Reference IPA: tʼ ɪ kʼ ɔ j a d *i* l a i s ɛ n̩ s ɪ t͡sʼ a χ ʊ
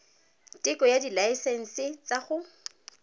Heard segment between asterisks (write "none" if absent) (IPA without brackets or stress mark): i